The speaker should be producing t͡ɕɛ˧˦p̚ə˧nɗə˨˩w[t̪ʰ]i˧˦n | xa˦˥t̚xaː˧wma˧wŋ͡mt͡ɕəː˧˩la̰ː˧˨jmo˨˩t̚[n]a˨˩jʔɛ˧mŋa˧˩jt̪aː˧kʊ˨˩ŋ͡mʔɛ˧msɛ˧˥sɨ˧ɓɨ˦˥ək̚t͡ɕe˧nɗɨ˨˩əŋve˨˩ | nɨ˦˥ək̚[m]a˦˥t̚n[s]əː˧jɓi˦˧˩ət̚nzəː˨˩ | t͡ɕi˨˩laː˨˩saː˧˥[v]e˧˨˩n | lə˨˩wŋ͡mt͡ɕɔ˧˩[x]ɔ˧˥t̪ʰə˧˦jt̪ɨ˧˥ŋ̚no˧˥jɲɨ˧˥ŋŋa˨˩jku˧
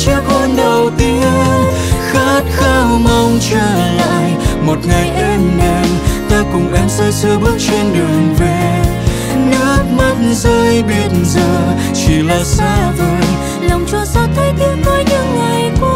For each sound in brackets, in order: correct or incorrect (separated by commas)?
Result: incorrect, incorrect, correct, incorrect, correct, incorrect